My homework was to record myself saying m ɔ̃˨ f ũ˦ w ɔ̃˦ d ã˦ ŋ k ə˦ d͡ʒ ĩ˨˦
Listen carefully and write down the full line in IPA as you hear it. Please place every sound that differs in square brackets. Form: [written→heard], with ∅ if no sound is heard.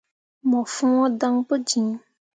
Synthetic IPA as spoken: m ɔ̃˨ f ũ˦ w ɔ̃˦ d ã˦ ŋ [k→p] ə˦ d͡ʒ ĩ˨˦